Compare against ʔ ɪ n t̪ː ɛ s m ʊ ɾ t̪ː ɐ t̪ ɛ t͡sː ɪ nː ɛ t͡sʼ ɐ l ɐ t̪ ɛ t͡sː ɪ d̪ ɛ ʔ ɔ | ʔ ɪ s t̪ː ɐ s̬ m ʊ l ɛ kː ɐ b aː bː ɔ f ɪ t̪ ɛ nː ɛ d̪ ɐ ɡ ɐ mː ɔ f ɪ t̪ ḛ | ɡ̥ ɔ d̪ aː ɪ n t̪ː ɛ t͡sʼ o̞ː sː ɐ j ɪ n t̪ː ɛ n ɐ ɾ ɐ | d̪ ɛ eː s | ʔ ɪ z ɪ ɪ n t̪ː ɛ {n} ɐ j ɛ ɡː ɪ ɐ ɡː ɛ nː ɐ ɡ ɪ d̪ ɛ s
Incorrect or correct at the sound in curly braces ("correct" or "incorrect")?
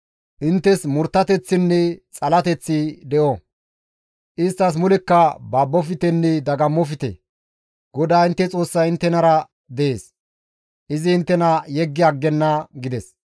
correct